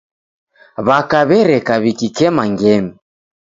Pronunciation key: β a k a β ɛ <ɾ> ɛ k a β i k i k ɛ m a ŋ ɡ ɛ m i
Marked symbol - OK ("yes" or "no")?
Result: yes